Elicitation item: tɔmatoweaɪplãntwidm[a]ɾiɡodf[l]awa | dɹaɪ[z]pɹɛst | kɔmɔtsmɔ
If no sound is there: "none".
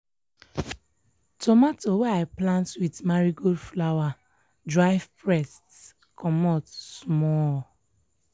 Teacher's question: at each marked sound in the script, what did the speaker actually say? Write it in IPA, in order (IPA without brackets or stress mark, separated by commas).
a, l, v